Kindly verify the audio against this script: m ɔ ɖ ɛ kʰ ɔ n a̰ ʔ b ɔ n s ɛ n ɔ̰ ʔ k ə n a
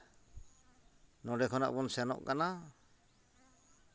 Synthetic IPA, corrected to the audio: n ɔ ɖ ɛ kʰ ɔ n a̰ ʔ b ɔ n s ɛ n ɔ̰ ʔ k a n a